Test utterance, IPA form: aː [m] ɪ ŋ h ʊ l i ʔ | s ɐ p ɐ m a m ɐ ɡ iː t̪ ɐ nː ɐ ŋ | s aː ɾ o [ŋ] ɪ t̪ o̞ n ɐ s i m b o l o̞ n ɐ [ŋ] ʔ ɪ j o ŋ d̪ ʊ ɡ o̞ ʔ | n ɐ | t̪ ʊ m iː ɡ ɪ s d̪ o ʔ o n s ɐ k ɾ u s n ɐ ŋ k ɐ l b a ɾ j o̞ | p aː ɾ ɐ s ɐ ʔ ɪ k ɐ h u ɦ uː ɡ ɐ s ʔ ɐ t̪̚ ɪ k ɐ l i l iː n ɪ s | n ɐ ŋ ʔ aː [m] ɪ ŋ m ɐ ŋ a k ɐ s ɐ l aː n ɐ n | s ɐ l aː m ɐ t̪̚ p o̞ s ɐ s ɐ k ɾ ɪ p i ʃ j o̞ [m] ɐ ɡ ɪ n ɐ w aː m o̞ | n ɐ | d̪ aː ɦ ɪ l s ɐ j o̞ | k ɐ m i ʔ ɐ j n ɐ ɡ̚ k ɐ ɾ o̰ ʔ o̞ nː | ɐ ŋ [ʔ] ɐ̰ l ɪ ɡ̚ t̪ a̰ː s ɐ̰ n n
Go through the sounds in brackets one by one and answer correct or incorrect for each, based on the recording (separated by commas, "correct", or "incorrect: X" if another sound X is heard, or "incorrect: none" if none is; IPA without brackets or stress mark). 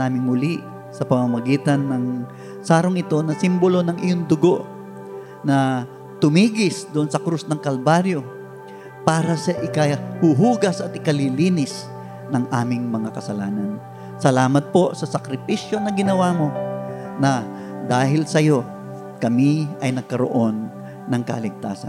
correct, correct, correct, correct, incorrect: n, incorrect: k